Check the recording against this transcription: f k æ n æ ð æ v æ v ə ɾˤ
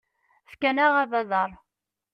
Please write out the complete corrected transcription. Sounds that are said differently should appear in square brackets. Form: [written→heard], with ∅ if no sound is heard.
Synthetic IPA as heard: f k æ n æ [ð→ʁ] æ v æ [v→ð] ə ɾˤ